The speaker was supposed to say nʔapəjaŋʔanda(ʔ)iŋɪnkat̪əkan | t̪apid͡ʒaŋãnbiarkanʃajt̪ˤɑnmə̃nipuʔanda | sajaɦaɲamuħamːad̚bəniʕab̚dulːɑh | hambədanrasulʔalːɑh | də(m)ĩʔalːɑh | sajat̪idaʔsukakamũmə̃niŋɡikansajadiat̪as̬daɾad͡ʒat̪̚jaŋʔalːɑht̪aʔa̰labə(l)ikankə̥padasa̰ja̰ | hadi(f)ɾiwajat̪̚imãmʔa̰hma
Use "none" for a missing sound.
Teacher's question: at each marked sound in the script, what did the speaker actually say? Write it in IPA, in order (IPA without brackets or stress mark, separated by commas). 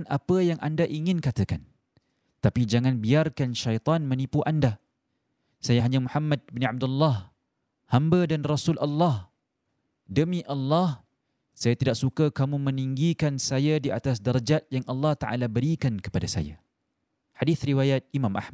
ʔ, m, ɾ, θ